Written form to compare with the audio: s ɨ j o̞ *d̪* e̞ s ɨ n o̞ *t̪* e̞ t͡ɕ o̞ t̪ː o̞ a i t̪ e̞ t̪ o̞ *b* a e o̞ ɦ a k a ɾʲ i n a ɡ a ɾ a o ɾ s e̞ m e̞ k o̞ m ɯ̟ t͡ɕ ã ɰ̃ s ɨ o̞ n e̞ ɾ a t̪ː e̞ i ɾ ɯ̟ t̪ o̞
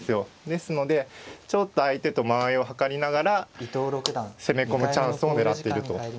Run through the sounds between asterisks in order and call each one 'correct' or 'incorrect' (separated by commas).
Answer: correct, incorrect, incorrect